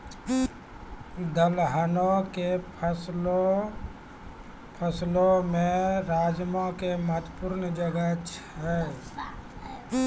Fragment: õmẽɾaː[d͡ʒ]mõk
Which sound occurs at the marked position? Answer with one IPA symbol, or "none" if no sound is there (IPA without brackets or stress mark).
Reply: d͡ʒ